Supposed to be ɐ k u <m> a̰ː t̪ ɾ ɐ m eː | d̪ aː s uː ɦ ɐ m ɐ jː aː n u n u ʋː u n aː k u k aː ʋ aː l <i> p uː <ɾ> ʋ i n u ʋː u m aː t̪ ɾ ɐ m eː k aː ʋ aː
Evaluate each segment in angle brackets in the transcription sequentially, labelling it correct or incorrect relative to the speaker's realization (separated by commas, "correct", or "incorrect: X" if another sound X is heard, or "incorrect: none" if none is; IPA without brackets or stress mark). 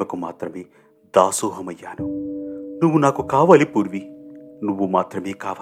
correct, correct, correct